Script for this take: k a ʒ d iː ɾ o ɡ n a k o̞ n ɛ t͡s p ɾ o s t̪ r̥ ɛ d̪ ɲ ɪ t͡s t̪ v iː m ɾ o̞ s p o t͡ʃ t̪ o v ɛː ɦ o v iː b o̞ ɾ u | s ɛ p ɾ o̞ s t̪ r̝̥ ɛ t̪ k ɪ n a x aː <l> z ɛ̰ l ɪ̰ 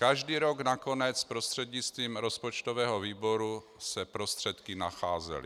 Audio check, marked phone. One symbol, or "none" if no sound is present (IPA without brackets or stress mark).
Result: none